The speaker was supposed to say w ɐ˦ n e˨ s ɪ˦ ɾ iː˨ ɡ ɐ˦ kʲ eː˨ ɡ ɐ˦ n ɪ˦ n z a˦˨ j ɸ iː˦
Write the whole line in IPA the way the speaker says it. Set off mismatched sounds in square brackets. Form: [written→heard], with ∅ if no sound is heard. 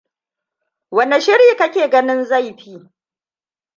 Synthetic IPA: w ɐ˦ n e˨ [s→ʃ] ɪ˦ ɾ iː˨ [ɡ→k] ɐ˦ kʲ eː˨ ɡ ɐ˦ n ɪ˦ n z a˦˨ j ɸ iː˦